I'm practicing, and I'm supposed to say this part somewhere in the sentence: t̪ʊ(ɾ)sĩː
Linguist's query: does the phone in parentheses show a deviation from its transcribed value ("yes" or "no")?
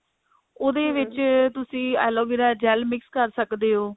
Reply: yes